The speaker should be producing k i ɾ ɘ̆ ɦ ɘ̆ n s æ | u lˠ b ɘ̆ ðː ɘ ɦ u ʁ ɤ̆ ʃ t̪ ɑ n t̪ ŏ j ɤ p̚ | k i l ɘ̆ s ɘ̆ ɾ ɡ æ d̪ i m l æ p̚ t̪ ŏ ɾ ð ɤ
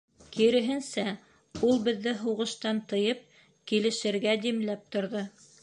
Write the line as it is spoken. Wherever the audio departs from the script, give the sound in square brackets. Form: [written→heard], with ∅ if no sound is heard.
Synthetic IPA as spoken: k i ɾ ɘ̆ ɦ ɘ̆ n s æ | u lˠ b ɘ̆ ðː ɘ ɦ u ʁ ɤ̆ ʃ t̪ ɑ n t̪ [ŏ→ɤ̆] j ɤ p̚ | k i l ɘ̆ [s→ʃ] ɘ̆ ɾ ɡ æ d̪ i m l æ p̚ t̪ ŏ ɾ ð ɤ